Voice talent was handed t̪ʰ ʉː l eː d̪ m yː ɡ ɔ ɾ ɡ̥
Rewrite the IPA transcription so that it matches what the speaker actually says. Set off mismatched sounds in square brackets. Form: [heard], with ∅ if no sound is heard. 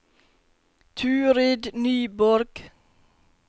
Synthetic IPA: t̪ʰ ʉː [ɾ] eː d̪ [n] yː [b] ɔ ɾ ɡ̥